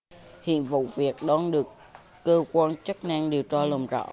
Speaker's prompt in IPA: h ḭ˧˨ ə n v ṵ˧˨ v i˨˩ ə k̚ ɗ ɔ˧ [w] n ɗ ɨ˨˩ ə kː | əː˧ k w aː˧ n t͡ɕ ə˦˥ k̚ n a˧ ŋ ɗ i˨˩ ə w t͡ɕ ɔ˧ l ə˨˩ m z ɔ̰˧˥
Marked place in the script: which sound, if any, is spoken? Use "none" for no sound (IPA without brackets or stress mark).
none